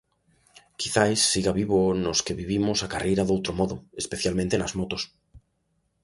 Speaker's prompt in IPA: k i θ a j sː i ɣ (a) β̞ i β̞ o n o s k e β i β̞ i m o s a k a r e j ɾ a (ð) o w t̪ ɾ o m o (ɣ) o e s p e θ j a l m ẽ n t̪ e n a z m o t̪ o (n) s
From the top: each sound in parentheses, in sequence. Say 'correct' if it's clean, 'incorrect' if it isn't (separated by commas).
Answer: correct, correct, incorrect, incorrect